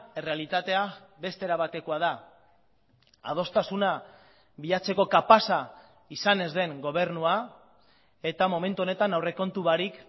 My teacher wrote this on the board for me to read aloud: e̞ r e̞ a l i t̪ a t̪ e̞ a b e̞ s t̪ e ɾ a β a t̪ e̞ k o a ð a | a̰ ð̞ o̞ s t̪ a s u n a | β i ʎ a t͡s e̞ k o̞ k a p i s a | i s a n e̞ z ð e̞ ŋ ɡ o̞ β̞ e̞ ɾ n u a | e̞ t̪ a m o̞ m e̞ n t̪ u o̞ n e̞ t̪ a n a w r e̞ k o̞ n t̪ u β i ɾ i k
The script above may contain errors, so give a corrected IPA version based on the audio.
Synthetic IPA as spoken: e̞ r e̞ a l i t̪ a t̪ e̞ a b e̞ s t̪ e ɾ a β a t̪ e̞ k o a ð a | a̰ ð̞ o̞ s t̪ a s u n a | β i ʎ a t͡s e̞ k o̞ k a p a s a | i s a n e̞ z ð e̞ ŋ ɡ o̞ β̞ e̞ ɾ n u a | e̞ t̪ a m o̞ m e̞ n t̪ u o̞ n e̞ t̪ a n a w r e̞ k o̞ n t̪ u β a ɾ i k